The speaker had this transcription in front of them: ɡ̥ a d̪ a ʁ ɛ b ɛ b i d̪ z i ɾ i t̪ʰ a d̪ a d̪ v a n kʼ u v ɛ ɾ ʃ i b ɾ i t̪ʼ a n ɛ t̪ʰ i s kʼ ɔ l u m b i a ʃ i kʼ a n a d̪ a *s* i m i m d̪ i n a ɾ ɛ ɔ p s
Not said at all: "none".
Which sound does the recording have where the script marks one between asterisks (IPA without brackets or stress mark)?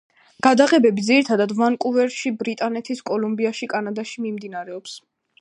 ʃ